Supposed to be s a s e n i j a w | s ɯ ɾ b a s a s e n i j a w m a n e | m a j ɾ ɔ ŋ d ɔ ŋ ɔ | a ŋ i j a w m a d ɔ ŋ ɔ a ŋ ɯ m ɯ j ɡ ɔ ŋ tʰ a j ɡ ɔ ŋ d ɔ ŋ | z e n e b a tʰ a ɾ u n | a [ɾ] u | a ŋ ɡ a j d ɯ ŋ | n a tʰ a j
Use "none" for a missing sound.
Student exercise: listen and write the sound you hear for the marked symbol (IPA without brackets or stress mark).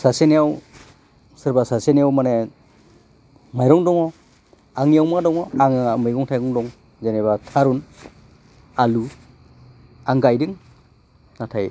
l